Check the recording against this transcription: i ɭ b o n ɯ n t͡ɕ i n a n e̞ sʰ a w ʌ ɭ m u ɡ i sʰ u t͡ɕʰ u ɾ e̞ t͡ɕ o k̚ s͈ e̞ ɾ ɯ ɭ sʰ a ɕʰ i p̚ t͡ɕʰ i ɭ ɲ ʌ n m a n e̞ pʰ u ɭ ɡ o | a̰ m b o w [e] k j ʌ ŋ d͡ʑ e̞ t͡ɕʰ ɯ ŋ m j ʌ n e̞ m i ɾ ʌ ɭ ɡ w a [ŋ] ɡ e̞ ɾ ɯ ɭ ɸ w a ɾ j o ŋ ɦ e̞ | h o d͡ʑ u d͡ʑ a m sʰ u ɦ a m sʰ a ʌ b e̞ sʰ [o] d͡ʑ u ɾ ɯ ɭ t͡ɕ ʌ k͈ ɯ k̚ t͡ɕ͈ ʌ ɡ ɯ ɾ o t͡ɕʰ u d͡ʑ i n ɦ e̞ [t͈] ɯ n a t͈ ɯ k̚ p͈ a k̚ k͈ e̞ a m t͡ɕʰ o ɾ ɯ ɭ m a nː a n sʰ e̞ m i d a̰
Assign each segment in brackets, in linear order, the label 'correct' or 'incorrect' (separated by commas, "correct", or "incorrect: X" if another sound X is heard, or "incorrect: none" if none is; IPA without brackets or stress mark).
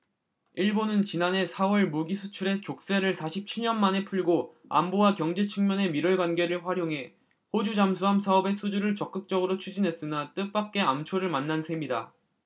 incorrect: a, incorrect: n, incorrect: u, incorrect: s͈